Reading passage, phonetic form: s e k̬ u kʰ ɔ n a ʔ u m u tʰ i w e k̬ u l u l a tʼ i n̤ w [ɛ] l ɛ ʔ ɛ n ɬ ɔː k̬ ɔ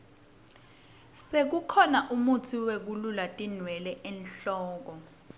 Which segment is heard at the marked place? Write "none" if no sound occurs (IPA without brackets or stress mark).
ɛ